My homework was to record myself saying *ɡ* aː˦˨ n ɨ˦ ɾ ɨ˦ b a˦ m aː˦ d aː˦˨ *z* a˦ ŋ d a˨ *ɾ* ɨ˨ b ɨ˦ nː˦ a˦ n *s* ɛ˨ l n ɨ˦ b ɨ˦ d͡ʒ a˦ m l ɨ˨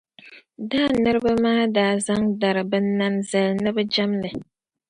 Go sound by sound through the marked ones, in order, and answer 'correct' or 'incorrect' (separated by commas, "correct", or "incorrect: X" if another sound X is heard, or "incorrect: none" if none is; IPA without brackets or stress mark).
incorrect: d, correct, correct, incorrect: z